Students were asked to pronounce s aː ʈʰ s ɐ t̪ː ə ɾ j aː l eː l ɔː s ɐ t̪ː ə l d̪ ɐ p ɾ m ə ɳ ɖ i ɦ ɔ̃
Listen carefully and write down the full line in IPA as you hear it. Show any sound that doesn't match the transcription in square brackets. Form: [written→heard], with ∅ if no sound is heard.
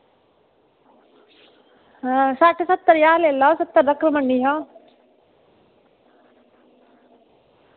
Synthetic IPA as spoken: s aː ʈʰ s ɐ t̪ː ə ɾ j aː l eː l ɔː s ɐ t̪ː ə [l→ɾ] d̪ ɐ [p→k] ɾ m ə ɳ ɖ i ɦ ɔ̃

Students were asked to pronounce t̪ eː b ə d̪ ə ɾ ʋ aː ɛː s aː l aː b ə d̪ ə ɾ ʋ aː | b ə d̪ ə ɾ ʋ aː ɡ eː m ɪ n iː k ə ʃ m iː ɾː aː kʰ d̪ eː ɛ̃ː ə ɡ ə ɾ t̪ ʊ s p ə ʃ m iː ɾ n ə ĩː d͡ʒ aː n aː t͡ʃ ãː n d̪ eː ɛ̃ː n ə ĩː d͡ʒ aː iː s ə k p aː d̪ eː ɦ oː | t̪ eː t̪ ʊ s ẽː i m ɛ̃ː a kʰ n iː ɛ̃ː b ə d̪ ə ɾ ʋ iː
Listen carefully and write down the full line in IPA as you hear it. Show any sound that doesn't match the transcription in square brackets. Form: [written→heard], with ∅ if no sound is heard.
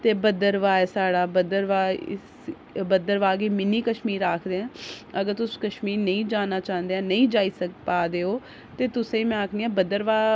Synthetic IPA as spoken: t̪ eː b ə d̪ ə ɾ ʋ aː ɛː s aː [l→ɽ] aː b ə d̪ ə ɾ ʋ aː | b ə d̪ ə ɾ ʋ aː ɡ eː m ɪ n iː k ə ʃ m iː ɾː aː kʰ d̪ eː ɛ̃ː ə ɡ ə ɾ t̪ ʊ s [p→k] ə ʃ m iː ɾ n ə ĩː d͡ʒ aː n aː t͡ʃ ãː n d̪ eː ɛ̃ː n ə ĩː d͡ʒ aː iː s ə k p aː d̪ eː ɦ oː | t̪ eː t̪ ʊ s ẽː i m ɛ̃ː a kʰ n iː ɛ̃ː b ə d̪ ə ɾ ʋ [iː→aː]

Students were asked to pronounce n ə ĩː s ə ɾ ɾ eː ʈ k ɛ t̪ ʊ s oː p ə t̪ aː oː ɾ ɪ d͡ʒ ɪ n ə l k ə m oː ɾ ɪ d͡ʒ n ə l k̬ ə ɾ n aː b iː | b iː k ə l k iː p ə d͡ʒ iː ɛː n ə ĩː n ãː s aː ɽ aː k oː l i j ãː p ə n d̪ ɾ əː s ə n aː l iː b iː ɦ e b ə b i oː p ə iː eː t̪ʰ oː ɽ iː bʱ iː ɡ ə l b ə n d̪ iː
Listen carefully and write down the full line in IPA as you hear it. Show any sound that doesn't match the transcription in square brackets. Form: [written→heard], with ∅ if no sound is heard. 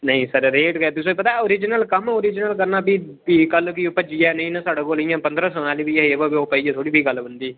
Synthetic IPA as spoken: n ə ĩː s ə ɾ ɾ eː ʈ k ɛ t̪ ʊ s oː p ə t̪ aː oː ɾ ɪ d͡ʒ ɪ n ə l k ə m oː ɾ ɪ d͡ʒ n ə l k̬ ə ɾ n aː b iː | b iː k ə l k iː p ə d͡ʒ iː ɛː n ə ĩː n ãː s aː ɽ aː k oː l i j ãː p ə n d̪ ɾ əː s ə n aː l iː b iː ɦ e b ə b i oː p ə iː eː t̪ʰ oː ɽ iː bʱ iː ɡ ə l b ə n d̪ iː

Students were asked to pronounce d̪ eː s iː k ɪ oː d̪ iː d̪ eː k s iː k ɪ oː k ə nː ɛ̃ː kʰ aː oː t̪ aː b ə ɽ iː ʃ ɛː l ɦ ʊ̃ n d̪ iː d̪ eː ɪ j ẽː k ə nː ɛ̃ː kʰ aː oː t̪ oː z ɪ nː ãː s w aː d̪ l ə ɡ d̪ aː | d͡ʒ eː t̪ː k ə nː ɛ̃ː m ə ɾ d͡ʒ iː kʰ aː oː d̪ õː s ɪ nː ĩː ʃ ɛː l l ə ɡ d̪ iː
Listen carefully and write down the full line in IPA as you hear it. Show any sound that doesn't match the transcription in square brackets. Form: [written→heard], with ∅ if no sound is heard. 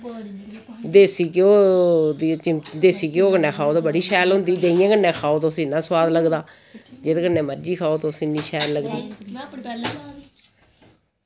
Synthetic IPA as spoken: d̪ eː s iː k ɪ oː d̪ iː d̪ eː [k→∅] s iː k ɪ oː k ə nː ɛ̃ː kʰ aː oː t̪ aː b ə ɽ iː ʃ ɛː l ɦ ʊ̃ n d̪ iː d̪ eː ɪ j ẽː k ə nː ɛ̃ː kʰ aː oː t̪ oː [z→s] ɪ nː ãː s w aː d̪ l ə ɡ d̪ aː | d͡ʒ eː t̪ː k ə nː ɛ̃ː m ə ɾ d͡ʒ iː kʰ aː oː [d̪→t̪] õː s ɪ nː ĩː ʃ ɛː l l ə ɡ d̪ iː

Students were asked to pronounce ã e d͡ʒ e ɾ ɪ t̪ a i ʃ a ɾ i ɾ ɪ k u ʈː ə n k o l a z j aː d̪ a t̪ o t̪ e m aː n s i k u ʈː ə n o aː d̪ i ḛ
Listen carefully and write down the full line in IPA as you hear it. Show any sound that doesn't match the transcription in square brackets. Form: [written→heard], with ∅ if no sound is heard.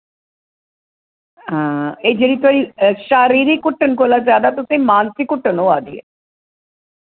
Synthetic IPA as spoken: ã e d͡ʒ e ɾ [ɪ→i] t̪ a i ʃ a ɾ i ɾ [ɪ→i] k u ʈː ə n k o l a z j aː d̪ a t̪ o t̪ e m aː n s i k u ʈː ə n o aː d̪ i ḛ

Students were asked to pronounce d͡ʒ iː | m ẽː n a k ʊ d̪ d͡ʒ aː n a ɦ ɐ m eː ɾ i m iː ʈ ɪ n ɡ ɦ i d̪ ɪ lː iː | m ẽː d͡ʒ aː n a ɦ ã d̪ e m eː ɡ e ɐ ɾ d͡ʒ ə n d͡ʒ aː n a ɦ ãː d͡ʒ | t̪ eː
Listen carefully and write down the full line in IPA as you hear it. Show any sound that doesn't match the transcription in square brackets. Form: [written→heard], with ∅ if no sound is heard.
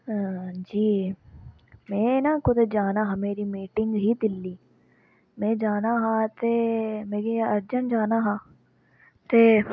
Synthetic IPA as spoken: d͡ʒ iː | m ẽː n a k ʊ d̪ d͡ʒ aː n a ɦ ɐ m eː ɾ i m iː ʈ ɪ [n→ŋ] ɡ ɦ i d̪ ɪ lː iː | m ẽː d͡ʒ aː n a ɦ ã [d̪→t̪] e m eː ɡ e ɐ ɾ d͡ʒ ə n d͡ʒ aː n a ɦ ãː [d͡ʒ→∅] | t̪ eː

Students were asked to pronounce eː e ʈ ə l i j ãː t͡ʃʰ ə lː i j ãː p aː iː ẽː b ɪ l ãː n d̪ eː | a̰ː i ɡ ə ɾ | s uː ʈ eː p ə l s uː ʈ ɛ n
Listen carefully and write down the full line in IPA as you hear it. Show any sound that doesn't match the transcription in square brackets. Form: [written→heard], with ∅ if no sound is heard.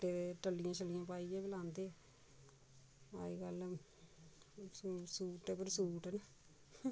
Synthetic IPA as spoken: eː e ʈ ə l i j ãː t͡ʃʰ ə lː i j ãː p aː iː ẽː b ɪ l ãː n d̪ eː | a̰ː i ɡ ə [ɾ→l] | s uː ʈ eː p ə [l→ɾ] s uː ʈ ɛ n

